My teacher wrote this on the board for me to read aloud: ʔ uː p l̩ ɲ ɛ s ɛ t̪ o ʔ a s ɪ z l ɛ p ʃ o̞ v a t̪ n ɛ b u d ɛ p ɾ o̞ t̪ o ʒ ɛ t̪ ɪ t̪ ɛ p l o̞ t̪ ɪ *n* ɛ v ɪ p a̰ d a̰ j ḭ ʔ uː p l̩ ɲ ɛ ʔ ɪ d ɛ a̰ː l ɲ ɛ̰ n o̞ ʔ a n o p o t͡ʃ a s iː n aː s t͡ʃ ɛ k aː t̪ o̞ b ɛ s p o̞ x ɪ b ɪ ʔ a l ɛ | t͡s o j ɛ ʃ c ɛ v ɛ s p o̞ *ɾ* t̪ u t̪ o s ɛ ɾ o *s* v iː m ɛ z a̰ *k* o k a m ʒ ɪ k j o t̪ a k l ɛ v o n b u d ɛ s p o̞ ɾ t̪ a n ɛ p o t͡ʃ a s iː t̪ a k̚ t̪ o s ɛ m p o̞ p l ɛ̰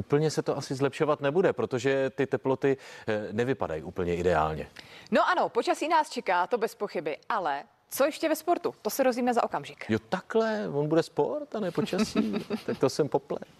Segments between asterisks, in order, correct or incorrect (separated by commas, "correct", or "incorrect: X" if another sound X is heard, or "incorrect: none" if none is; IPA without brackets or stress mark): correct, correct, incorrect: z, incorrect: ʔ